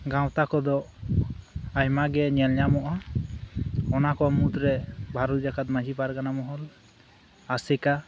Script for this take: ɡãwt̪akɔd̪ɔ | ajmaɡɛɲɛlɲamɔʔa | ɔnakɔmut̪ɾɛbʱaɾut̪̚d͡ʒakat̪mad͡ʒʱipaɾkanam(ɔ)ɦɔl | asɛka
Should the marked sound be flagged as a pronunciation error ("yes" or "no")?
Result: no